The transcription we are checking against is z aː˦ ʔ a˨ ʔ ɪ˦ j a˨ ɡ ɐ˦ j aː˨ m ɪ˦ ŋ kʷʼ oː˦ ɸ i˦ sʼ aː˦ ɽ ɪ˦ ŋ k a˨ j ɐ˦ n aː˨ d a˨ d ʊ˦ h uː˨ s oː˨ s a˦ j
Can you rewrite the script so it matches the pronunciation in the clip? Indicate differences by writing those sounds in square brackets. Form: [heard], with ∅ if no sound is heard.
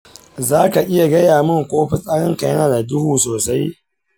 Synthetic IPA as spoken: z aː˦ [k] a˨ ʔ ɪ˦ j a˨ ɡ ɐ˦ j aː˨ m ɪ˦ ŋ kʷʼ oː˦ ɸ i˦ sʼ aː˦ ɽ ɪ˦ ŋ k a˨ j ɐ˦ n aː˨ d a˨ d ʊ˦ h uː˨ s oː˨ s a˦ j